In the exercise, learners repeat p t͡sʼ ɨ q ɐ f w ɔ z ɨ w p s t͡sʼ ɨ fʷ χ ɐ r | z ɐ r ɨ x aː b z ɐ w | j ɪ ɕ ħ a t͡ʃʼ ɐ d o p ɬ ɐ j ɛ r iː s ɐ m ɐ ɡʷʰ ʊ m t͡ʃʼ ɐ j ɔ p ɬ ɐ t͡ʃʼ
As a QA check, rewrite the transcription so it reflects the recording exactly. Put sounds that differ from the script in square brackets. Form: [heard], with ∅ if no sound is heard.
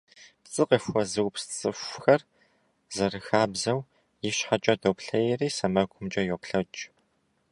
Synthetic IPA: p t͡sʼ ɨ q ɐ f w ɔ z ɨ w p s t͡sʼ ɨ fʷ [x] ɐ r | z ɐ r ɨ x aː b z ɐ w | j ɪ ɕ ħ a t͡ʃʼ ɐ d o p ɬ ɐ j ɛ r iː s ɐ m ɐ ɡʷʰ ʊ m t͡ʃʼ ɐ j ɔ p ɬ ɐ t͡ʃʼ

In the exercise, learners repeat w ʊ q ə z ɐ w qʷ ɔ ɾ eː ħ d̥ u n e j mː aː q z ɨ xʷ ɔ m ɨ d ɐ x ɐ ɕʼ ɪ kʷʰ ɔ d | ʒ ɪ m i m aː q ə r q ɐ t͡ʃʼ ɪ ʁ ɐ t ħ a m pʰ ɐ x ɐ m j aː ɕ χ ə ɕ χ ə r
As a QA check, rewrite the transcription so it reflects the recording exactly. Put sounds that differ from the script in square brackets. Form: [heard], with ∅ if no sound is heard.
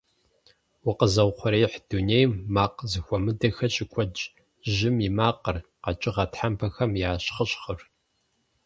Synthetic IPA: w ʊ q ə z ɐ w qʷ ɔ ɾ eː ħ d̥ u n e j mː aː q z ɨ xʷ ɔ m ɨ d ɐ x ɐ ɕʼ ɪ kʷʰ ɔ [d͡ʒ] | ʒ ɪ m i m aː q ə r q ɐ t͡ʃʼ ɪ ʁ ɐ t ħ a m pʰ ɐ x ɐ m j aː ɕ χ ə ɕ χ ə r

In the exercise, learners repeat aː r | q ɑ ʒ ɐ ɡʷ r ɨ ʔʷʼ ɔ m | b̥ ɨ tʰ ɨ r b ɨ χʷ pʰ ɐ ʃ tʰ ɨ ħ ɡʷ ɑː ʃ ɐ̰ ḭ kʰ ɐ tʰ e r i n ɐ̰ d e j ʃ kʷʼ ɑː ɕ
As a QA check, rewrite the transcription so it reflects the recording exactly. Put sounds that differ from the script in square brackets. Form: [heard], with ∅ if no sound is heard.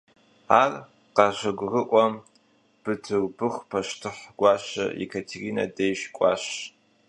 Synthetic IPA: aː r | q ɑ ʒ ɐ ɡʷ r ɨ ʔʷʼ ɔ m | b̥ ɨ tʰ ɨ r b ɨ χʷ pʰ ɐ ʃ tʰ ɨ ħ ɡʷ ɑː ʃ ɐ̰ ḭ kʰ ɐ tʰ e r i n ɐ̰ d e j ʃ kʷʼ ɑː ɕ

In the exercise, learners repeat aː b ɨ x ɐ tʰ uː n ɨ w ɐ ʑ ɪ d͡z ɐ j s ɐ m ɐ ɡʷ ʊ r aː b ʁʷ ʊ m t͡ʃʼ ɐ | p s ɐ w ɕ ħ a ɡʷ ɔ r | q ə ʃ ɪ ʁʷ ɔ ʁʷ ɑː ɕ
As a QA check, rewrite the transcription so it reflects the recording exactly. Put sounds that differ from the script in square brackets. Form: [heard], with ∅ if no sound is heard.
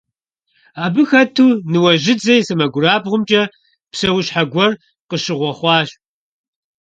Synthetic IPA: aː b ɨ x ɐ tʰ uː n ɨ w ɐ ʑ ɪ d͡z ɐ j s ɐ m ɐ ɡʷ ʊ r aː b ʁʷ ʊ m t͡ʃʼ ɐ | p s ɐ w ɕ ħ a ɡʷ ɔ r | q ə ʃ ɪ ʁʷ ɔ [χʷ] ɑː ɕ

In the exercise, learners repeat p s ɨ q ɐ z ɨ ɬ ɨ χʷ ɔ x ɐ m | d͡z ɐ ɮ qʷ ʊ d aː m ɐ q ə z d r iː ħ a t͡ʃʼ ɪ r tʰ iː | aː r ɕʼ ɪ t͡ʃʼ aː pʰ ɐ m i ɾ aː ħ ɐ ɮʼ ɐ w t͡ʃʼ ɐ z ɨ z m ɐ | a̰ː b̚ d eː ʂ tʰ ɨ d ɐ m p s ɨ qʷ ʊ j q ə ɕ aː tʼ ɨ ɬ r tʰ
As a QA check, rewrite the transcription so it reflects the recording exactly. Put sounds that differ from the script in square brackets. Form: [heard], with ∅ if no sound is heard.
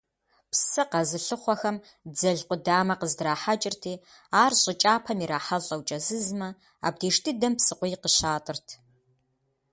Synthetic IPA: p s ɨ q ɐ z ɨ ɬ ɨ χʷ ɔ x ɐ m | d͡z ɐ ɮ qʷ ʊ d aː m ɐ q ə z d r [aː] ħ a t͡ʃʼ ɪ r tʰ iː | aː r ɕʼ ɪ t͡ʃʼ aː pʰ ɐ m i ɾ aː ħ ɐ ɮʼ ɐ w t͡ʃʼ ɐ z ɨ z m ɐ | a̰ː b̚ d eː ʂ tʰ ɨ d ɐ m p s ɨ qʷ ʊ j q ə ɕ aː tʼ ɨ [∅] r tʰ

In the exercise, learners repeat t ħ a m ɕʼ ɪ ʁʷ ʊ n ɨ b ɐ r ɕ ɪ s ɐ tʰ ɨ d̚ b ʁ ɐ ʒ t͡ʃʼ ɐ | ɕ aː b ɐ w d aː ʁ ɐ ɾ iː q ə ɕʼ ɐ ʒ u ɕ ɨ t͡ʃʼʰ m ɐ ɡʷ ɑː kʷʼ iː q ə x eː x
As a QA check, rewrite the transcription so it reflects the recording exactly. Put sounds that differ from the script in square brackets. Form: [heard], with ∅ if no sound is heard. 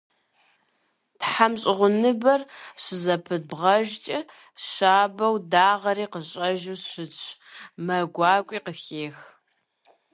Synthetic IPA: t ħ a m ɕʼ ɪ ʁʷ ʊ n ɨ b ɐ r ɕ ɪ [z] ɐ [pʰ] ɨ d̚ b ʁ ɐ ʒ t͡ʃʼ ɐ | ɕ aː b ɐ w d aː ʁ ɐ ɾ iː q ə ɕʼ ɐ ʒ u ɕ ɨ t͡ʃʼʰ m ɐ ɡʷ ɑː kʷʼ iː q ə x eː x

